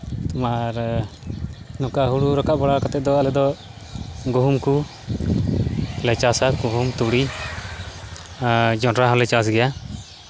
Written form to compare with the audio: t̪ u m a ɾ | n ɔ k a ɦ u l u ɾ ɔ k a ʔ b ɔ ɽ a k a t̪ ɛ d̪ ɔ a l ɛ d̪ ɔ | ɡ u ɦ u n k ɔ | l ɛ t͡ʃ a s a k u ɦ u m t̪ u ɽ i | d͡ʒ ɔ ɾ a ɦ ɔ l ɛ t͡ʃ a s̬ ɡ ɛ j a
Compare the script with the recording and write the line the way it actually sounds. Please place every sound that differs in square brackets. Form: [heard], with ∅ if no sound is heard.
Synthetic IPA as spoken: t̪ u m a ɾ | n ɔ k a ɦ u [ɽ] u ɾ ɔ k a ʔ b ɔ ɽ a k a t̪ ɛ d̪ ɔ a l ɛ d̪ ɔ | ɡ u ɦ u [m] k [u] | l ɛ t͡ʃ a s a k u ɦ u m t̪ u ɽ i | d͡ʒ ɔ ɾ a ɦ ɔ l ɛ t͡ʃ a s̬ ɡ ɛ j a